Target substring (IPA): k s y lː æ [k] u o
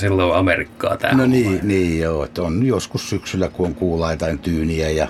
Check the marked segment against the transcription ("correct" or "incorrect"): correct